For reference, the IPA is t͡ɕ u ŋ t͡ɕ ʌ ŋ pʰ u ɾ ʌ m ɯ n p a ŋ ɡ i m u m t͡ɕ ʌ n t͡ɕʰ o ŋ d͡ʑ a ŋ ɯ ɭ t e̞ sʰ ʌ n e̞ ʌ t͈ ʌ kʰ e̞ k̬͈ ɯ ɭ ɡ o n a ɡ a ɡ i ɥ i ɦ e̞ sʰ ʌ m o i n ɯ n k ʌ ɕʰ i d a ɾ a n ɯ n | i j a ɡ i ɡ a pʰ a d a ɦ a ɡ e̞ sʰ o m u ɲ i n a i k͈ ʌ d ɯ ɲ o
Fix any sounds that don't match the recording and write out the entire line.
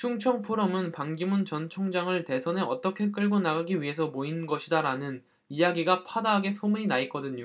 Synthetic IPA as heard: t͡ɕʰ u ŋ t͡ɕʰ ʌ ŋ pʰ o ɾ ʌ m ɯ n p a ŋ ɡ i m u n t͡ɕ ʌ n t͡ɕʰ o ŋ d͡ʑ a ŋ ɯ ɭ t e̞ sʰ ʌ n e̞ ʌ t͈ ʌ kʰ e̞ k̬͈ ɯ ɭ ɡ o n a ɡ a ɡ i ɥ i ɦ e̞ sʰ ʌ m o i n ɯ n ɡ ʌ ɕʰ i d a ɾ a n ɯ n | i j a ɡ i ɡ a pʰ a d a ɦ a ɡ e̞ sʰ o m u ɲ i n a i k͈ ʌ d ɯ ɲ o